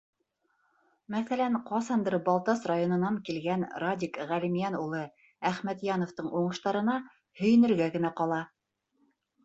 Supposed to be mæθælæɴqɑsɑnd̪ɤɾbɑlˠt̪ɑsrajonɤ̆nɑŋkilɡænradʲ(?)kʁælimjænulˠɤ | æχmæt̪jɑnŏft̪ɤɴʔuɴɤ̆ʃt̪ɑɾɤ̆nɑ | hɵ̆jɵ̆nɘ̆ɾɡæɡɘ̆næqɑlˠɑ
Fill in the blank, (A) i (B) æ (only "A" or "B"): A